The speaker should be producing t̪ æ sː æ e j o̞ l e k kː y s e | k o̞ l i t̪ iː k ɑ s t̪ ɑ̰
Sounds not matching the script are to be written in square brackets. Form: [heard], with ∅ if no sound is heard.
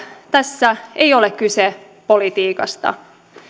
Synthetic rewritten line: t̪ æ sː æ e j o̞ l e k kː y s e | [p] o̞ l i t̪ iː k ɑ s t̪ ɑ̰